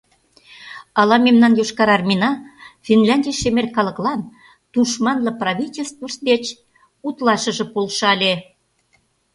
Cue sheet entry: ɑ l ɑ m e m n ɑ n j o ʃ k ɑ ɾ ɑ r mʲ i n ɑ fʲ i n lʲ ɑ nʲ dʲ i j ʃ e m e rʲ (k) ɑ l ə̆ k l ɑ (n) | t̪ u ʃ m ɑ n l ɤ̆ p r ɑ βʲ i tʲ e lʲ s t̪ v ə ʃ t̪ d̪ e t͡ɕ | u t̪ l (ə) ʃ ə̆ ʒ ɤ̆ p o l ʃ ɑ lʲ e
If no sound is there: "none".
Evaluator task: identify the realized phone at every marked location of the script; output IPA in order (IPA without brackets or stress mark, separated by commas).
k, n, ɑ